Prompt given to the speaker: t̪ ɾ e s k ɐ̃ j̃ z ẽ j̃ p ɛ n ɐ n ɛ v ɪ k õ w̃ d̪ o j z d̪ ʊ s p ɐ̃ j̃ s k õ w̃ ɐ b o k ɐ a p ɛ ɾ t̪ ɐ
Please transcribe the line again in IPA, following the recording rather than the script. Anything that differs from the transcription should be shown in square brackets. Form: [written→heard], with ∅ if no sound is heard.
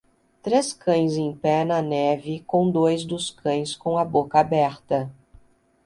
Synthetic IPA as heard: t̪ ɾ e s k ɐ̃ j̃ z ẽ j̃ p ɛ n ɐ n ɛ v ɪ k õ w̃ d̪ o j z d̪ ʊ s [p→k] ɐ̃ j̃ s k õ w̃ ɐ b o k ɐ a [p→b] ɛ ɾ t̪ ɐ